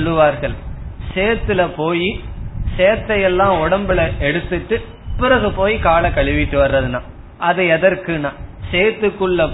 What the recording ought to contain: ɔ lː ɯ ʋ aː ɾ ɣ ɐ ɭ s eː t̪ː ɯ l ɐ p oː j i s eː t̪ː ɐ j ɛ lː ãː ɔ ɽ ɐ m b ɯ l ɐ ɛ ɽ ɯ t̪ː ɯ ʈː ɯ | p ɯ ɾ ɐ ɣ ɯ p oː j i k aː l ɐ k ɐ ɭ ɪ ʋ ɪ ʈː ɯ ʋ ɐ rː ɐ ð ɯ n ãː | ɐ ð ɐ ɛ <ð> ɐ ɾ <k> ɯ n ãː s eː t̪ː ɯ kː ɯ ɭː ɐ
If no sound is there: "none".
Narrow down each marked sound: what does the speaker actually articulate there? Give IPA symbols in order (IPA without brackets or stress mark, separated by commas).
ð, k